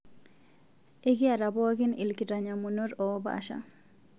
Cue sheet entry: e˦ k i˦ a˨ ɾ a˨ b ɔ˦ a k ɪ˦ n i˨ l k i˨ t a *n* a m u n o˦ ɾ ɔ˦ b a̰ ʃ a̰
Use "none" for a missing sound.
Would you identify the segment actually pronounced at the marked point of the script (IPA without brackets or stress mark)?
ɲ